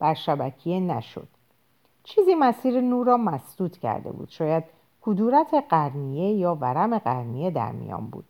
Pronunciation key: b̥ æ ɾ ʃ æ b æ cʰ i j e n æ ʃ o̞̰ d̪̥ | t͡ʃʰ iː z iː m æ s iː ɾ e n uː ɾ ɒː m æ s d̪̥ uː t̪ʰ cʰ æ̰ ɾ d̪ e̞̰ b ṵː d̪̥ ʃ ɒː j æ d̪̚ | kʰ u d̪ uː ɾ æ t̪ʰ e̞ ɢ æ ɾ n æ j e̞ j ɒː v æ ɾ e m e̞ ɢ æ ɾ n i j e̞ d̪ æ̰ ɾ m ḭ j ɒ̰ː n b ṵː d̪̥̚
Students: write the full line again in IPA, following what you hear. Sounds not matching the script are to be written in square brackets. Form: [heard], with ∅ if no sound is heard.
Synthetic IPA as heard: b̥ æ ɾ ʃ æ b æ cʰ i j e n æ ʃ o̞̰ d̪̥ | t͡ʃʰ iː z iː m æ s iː ɾ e n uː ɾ ɒː m æ s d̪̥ uː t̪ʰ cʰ æ̰ ɾ d̪ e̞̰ b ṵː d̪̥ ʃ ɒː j æ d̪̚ | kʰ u d̪ uː ɾ æ t̪ʰ e̞ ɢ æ ɾ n [i] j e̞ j ɒː v æ ɾ [æ] m e̞ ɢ æ ɾ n i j e̞ d̪ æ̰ ɾ m ḭ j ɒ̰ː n b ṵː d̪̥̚